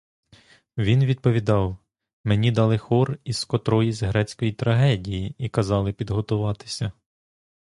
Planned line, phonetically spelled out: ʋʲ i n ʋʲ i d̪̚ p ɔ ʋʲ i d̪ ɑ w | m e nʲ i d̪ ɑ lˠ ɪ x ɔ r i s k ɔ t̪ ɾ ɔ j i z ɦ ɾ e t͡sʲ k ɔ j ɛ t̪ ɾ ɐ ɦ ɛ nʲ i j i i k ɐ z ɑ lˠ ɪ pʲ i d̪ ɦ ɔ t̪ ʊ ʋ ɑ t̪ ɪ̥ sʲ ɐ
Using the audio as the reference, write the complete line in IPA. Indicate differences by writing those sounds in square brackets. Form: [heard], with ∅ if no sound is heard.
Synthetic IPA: ʋʲ i n ʋʲ i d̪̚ p ɔ ʋʲ i d̪ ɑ w | m e nʲ i d̪ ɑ lˠ ɪ x ɔ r i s k ɔ t̪ ɾ ɔ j i z ɦ ɾ [ɛ] t͡sʲ k ɔ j [i] t̪ ɾ ɐ ɦ ɛ [dʲ] i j i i k ɐ z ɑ lˠ ɪ pʲ i d̪ ɦ ɔ t̪ ʊ ʋ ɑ t̪ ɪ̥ sʲ ɐ